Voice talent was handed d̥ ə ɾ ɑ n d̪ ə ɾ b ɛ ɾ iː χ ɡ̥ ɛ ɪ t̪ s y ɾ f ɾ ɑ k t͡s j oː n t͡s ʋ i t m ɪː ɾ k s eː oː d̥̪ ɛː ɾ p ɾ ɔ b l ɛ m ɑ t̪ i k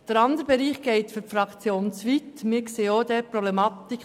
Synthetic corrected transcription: d̥ ə ɾ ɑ n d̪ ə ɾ b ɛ ɾ iː χ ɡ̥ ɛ ɪ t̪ f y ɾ f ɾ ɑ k t͡s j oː n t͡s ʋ i t m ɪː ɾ k s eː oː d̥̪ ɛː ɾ p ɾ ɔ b l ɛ m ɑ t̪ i k